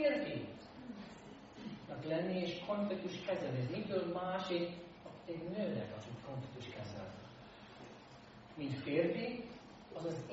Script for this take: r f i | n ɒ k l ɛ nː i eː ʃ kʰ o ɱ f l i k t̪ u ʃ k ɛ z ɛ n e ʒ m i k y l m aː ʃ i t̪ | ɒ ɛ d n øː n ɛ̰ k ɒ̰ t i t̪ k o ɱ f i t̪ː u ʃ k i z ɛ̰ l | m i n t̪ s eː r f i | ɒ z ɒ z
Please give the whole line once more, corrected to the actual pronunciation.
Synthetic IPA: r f i | n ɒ k l ɛ nː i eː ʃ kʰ o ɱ f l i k t̪ u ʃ k ɛ z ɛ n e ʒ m i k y l m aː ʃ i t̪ | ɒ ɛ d n øː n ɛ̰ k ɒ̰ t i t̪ k o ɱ f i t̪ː u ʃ k ɛ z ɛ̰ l | m i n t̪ f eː r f i | ɒ z ɒ z